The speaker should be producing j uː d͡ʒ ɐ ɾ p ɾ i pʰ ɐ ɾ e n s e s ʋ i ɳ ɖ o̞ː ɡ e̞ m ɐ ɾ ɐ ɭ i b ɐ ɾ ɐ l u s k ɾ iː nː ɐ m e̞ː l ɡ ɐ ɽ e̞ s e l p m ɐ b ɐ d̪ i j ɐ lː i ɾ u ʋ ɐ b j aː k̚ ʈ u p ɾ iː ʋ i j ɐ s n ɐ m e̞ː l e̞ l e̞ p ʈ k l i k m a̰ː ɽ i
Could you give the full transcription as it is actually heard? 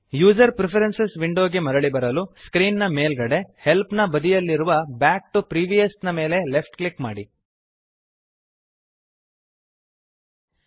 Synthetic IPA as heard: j uː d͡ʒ ɐ ɾ p ɾ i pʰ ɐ ɾ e n s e s ʋ i ɳ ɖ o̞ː ɡ e̞ m ɐ ɾ ɐ ɭ i b ɐ ɾ ɐ l u s k ɾ iː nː ɐ m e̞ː l ɡ ɐ ɽ e̞ h e l p n ɐ b ɐ d̪ i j ɐ lː i ɾ u ʋ ɐ b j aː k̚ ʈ u p ɾ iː ʋ i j ɐ s n ɐ m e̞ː l e̞ l e̞ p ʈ k l i k m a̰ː ɽ i